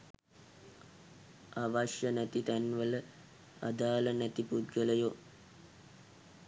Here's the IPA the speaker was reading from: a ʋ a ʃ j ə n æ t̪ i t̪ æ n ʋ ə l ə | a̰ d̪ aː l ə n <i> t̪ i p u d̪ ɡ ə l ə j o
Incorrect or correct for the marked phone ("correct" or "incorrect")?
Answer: incorrect